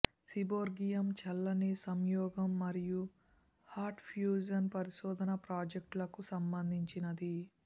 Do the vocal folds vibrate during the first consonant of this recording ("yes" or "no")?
no